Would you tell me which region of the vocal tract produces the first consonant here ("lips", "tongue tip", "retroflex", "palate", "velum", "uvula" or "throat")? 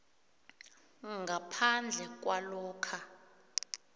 velum